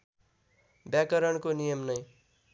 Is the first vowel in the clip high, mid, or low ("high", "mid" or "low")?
low